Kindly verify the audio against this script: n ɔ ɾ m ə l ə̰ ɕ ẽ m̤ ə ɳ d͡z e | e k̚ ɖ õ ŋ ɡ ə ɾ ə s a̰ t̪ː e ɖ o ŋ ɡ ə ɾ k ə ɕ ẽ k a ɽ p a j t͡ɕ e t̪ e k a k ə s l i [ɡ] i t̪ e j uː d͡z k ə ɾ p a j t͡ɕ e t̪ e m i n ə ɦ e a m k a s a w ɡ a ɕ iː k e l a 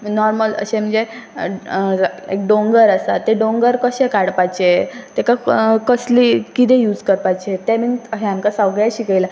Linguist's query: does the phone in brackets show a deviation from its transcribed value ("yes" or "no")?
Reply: yes